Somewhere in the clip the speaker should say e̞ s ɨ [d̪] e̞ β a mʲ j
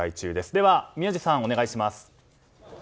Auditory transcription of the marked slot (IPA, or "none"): d̪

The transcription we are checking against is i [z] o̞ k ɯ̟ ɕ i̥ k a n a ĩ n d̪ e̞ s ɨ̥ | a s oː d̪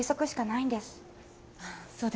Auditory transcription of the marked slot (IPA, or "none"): s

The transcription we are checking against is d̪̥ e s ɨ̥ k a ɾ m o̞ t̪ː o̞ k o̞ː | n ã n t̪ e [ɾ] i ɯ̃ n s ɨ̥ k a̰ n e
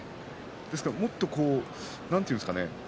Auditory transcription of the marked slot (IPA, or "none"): none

